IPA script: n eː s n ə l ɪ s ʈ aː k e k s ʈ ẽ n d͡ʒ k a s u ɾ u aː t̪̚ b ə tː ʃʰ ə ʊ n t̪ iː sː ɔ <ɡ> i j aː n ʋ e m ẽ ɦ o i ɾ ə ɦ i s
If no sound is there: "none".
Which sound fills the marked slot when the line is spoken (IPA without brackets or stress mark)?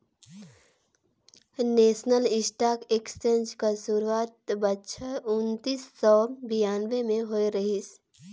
b